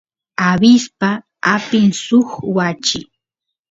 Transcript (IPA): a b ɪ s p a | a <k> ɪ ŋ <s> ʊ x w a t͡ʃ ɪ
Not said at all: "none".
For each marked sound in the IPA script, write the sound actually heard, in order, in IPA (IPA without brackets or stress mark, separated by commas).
p, s